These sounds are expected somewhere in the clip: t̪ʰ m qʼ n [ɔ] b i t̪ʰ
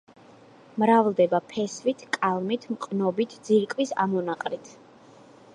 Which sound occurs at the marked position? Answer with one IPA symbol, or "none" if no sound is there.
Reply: ɔ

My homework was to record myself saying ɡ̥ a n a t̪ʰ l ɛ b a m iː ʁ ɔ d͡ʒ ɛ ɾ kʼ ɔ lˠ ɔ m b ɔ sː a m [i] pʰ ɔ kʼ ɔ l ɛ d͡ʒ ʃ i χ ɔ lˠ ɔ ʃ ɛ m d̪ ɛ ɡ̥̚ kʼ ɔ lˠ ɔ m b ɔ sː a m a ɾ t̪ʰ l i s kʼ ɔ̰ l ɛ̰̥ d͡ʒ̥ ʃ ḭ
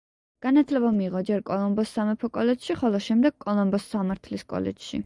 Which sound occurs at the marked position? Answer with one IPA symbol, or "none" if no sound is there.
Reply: ɛ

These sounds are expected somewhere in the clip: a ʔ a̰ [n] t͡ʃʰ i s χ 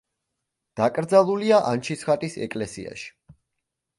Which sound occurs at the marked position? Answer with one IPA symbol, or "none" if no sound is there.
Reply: n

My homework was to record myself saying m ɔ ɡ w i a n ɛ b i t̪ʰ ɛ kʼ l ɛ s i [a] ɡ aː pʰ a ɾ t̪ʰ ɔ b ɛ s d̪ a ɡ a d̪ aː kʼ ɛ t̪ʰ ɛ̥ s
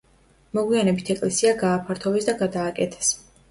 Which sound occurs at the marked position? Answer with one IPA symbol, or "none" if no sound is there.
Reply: a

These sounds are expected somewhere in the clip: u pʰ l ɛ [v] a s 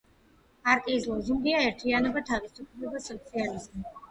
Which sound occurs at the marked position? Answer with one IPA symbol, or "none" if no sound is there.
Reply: b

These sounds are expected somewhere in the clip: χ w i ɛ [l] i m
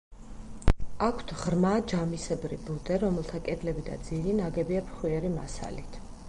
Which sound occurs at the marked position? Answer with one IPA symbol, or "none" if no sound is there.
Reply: ɾ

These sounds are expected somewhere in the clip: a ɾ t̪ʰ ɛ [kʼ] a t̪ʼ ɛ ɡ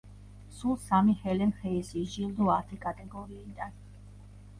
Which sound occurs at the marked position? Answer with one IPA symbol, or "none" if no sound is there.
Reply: kʼ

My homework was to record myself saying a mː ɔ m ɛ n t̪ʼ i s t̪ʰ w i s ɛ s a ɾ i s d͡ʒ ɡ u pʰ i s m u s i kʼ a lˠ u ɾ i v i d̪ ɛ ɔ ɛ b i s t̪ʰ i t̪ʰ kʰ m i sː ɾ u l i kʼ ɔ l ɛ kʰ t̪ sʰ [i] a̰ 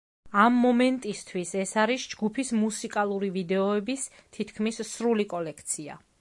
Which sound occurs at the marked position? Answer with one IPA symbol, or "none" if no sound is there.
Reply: i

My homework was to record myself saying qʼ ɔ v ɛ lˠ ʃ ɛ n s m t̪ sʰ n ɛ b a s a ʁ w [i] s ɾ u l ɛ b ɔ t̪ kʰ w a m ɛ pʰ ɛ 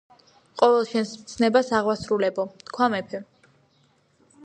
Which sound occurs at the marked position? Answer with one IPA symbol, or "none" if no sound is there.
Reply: a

